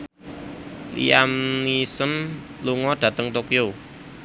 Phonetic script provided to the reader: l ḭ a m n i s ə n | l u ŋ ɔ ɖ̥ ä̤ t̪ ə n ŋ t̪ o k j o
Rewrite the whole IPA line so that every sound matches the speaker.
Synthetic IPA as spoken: l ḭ a m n i s ə n | l u ŋ ɔ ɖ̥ ä̤ t̪ ə ŋ t̪ o k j o